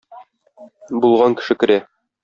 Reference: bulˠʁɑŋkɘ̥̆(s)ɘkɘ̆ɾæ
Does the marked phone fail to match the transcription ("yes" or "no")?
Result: yes